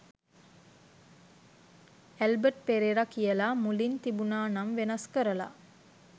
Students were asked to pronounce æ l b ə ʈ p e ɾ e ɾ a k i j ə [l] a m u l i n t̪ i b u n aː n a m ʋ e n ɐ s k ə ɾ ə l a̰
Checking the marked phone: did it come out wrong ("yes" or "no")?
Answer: no